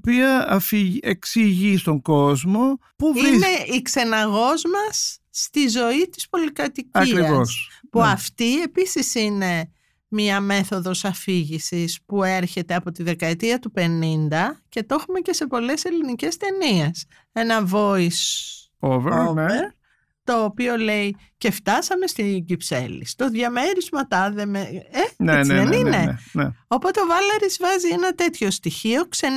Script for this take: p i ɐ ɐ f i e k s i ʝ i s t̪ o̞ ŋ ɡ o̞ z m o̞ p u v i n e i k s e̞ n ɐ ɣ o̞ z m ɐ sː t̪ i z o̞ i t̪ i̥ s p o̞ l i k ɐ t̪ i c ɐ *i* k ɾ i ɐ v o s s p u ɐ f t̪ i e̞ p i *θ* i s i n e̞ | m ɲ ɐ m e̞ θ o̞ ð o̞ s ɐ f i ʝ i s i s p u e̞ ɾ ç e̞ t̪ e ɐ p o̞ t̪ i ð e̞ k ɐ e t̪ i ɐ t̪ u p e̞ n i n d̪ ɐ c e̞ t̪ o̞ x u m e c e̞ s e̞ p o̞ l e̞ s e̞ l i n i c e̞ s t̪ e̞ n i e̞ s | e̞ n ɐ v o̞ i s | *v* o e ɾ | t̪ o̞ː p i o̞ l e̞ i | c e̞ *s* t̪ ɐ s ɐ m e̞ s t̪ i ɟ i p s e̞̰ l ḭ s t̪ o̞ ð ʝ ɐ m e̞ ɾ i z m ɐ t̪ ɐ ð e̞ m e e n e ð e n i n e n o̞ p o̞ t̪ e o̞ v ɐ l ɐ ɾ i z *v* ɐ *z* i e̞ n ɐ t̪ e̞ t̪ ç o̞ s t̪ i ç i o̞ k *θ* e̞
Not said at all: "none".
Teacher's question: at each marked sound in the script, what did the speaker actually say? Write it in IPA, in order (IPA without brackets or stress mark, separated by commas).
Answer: i, s, v, f, v, z, s